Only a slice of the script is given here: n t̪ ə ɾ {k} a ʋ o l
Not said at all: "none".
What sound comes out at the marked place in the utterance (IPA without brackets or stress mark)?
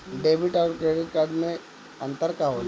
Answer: k